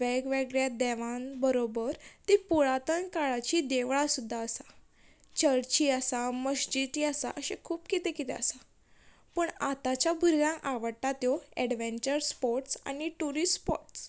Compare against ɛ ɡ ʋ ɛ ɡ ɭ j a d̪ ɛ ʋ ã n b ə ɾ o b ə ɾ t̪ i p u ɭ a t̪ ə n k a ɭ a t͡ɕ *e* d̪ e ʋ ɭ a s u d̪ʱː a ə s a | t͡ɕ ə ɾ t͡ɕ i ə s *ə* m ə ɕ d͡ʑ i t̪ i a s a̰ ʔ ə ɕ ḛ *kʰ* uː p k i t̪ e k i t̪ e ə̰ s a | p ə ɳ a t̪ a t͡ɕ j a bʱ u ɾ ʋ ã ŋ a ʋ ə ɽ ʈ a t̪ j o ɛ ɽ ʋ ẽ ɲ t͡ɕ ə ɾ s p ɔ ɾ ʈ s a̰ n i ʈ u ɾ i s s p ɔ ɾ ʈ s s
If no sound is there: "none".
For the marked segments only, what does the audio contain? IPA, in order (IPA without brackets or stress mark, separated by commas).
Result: i, a, kʰ